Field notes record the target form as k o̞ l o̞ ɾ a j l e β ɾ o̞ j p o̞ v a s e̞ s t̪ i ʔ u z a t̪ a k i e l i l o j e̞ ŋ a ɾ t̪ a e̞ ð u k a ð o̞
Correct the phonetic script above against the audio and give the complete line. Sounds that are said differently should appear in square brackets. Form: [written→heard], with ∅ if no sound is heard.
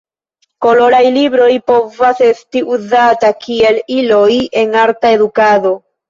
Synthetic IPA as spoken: k o̞ l o̞ ɾ a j l [e→i] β ɾ o̞ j p o̞ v a s e̞ s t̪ i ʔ u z a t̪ a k i e l i l o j e̞ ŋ a ɾ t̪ a e̞ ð u k a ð o̞